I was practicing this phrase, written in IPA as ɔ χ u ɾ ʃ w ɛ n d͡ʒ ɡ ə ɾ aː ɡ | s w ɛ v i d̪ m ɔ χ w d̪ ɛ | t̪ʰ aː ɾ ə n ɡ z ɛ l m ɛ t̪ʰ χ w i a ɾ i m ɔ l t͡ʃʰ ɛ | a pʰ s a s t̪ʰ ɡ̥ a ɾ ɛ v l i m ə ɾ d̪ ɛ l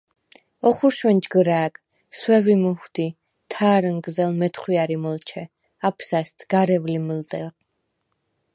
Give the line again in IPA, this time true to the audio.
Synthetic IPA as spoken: ɔ χ u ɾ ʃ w ɛ n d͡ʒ ɡ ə ɾ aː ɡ | s w ɛ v i m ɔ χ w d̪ i | t̪ʰ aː ɾ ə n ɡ z ɛ l m ɛ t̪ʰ χ w i a ɾ i m ɔ l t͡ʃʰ ɛ | a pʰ s a s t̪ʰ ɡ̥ a ɾ ɛ v l i m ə l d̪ ɛ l